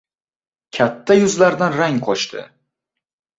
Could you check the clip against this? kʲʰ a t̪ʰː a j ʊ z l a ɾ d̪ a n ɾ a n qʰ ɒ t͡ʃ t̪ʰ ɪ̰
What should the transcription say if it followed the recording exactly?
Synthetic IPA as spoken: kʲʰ a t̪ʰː a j ʊ z l a ɾ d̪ a n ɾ a ŋ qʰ ɒ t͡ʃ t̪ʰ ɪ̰